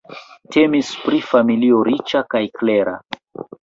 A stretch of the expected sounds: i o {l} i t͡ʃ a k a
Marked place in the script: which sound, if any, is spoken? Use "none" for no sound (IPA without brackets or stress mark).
ɾ